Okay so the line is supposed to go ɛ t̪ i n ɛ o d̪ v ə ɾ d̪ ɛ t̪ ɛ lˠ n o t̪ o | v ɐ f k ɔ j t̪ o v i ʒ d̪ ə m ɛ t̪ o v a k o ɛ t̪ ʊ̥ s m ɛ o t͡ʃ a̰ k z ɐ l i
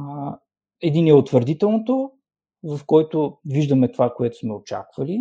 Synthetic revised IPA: ɛ d̪ i n ɛ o t̪ v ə ɾ d̪ i t̪ ɛ lˠ n o t̪ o | v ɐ f k ɔ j t̪ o v i ʒ d̪ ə m ɛ t̪ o v a k o ɛ t̪ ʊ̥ s m ɛ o t͡ʃ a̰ k v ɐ l i